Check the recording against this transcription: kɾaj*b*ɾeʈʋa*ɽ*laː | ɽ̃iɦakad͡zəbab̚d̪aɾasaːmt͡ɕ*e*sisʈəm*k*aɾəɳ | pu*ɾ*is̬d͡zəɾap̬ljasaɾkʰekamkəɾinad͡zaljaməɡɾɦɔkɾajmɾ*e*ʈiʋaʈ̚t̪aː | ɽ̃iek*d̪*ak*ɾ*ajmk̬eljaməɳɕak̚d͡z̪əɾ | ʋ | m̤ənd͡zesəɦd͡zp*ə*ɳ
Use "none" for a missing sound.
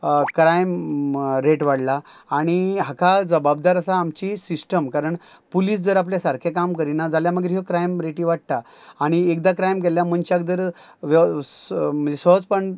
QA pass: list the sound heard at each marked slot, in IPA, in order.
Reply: m, ɽ, i, k, l, e, d̪, ɾ, ə

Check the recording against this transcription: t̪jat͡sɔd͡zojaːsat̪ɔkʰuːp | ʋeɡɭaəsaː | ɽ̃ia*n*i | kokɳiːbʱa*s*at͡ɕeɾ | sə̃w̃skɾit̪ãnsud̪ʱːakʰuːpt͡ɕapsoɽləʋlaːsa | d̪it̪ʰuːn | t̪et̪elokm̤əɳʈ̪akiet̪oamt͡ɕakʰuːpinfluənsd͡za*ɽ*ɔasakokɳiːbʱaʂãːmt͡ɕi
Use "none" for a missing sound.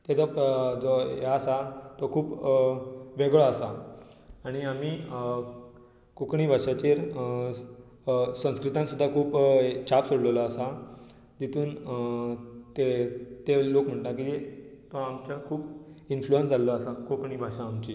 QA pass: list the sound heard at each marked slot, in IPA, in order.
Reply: m, ʂ, l

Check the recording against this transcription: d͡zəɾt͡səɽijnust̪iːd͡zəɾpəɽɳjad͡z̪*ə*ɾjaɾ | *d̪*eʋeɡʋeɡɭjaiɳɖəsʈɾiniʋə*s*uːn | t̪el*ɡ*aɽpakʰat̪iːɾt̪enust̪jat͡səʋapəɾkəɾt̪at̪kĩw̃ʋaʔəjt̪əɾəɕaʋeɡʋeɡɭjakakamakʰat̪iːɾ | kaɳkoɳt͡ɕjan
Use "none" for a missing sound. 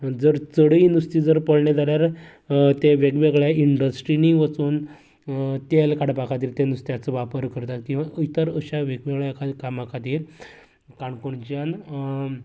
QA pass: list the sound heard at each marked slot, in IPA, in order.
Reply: a, t̪, t͡s, k

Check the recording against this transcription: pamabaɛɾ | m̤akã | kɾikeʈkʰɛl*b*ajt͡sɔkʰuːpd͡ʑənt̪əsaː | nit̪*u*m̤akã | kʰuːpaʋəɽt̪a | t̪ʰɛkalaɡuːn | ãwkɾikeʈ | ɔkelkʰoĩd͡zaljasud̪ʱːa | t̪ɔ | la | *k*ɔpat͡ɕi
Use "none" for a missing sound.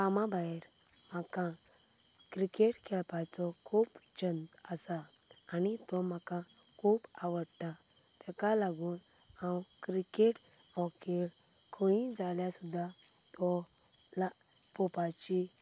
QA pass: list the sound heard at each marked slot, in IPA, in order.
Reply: p, ɔ, p

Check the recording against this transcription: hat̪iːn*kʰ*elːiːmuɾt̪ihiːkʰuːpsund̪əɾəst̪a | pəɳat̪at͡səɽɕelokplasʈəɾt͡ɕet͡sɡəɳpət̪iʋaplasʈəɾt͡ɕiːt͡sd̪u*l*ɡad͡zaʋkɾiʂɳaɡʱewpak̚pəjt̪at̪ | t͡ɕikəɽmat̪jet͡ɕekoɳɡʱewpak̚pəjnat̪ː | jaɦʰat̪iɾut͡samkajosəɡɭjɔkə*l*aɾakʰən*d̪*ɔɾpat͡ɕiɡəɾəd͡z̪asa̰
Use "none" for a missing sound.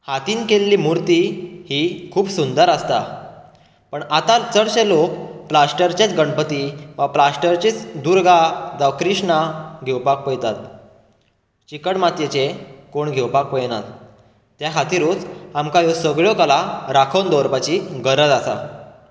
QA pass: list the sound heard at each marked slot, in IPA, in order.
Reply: k, ɾ, l, d̪

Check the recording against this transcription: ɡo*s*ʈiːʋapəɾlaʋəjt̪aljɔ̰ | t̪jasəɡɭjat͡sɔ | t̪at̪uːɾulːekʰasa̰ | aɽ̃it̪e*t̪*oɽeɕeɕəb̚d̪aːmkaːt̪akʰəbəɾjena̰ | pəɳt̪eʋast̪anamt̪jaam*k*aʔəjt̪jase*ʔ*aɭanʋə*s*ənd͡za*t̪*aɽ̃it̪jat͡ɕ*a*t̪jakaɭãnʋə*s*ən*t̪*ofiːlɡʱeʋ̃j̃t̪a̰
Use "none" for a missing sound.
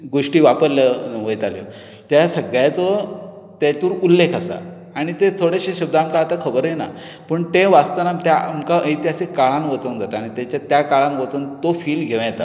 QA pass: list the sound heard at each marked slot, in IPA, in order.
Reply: ʂ, t̪ʰ, k, k, t͡s, t̪, a, t͡s, t̪

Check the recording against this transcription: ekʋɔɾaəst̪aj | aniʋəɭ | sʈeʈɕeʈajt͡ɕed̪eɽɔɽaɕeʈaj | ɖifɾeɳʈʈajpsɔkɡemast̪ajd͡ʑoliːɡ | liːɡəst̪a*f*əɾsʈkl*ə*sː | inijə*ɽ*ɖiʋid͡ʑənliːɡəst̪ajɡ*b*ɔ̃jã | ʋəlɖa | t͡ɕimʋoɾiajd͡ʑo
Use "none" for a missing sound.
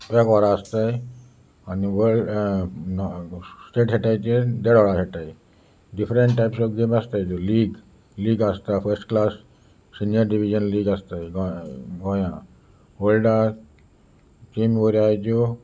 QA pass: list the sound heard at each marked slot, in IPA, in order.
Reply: f, a, ɾ, ɡ

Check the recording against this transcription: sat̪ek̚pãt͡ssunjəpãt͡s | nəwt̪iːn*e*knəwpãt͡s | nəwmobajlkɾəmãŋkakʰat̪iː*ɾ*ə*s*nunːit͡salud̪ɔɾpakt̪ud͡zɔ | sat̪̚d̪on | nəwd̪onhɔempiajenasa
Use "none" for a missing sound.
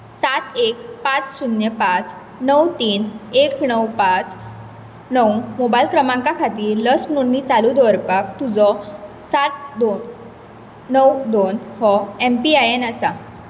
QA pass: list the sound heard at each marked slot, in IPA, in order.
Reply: e, l, s

